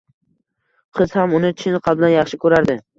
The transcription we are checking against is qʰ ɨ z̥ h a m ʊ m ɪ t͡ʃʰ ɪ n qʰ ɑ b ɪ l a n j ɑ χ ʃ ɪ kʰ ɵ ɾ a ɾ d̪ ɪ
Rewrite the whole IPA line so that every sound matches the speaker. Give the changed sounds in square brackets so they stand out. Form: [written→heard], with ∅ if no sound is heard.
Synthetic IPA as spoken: qʰ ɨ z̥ h a m ʊ [m→n] ɪ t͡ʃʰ ɪ n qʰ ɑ b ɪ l a n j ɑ χ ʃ ɪ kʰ ɵ ɾ a ɾ d̪ ɪ